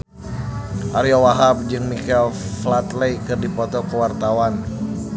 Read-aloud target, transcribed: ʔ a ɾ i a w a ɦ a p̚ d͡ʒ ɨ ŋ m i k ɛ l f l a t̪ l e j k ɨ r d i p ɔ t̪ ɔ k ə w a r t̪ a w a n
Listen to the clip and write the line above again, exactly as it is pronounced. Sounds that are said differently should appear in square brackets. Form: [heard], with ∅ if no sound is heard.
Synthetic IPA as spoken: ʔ a ɾ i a w a ɦ a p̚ d͡ʒ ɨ ŋ m i k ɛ l f l a t̪ l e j k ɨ r d i p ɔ t̪ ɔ k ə w a r t̪ a w a n